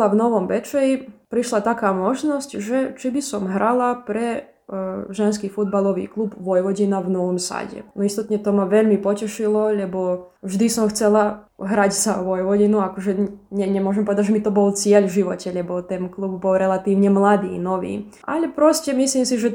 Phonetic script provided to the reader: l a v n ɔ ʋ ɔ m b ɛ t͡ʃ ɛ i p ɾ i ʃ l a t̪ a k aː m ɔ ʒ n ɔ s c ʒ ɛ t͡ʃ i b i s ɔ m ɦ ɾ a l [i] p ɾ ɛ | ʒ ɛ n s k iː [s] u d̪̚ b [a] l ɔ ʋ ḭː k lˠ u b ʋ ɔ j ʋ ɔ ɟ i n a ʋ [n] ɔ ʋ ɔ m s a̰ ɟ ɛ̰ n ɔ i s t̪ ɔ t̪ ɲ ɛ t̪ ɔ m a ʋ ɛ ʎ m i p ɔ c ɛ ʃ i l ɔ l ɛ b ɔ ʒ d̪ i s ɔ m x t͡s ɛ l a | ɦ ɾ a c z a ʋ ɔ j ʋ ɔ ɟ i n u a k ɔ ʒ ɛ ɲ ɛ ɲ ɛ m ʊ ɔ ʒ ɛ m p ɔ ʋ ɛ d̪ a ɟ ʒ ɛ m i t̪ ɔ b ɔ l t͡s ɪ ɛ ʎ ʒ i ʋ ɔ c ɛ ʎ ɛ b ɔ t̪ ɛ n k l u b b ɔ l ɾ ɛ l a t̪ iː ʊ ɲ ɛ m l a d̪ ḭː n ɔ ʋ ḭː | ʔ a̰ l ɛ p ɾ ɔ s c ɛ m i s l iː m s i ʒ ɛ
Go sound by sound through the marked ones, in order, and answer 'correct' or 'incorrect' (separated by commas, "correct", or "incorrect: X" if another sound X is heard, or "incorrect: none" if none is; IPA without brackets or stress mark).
incorrect: a, incorrect: f, correct, correct